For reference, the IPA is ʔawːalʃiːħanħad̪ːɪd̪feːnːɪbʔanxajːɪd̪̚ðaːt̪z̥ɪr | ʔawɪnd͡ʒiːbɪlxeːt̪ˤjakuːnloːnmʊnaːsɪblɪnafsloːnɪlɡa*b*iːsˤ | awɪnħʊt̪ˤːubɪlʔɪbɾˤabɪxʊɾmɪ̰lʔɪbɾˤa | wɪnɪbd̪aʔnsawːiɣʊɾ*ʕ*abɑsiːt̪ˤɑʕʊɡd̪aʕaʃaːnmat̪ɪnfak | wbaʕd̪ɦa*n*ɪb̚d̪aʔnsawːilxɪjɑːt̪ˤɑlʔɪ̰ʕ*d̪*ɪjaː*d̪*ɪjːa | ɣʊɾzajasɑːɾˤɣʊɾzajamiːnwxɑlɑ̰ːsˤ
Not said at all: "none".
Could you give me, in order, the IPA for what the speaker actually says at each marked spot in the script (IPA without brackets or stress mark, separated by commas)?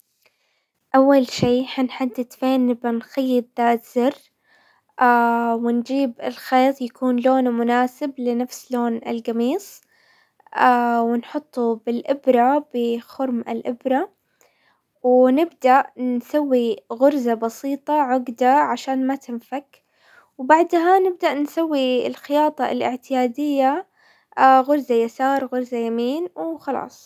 m, z, n, t̪, d̪